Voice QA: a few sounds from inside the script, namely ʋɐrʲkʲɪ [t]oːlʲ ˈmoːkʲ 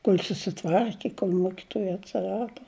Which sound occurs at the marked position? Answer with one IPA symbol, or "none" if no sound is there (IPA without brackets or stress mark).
k